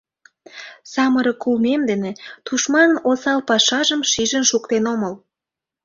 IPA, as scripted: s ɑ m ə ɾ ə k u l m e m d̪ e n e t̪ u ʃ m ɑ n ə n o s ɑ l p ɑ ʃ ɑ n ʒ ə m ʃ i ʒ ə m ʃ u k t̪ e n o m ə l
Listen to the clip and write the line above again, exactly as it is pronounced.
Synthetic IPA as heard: s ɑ m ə ɾ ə k u l m e m d̪ e n e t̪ u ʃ m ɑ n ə n o s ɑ l p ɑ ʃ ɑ ʒ ə m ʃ i ʒ ə n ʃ u k t̪ e n o m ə l